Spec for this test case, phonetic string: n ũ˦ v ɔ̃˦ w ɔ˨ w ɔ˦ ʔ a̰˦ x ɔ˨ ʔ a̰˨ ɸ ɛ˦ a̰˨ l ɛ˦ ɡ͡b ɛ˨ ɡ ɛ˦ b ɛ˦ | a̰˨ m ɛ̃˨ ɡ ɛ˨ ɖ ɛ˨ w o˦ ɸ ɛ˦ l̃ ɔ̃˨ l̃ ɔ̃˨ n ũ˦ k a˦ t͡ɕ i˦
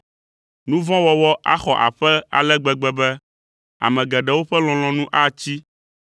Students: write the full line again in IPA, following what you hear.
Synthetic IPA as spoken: n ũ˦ v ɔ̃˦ w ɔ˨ w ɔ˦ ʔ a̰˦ x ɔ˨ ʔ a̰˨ ɸ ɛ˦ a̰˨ l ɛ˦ ɡ͡b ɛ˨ ɡ͡b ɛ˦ b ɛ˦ | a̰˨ m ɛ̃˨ ɡ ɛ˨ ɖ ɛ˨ w o˦ ɸ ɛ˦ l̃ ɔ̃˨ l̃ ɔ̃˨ n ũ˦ ʔ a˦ t͡ɕ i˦